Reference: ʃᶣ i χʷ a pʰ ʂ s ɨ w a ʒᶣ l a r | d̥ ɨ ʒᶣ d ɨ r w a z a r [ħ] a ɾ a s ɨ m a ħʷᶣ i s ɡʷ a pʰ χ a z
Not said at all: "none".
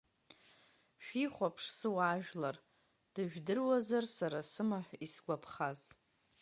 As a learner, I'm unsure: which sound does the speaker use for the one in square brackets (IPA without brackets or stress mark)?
s